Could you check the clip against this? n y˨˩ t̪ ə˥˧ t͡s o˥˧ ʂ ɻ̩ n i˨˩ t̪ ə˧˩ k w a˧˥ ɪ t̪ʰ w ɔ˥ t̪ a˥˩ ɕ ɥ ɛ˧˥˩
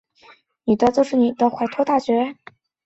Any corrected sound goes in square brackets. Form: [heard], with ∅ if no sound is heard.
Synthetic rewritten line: n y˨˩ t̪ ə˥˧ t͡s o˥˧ ʂ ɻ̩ n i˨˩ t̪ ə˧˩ [x] w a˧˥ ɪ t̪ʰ w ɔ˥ t̪ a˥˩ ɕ ɥ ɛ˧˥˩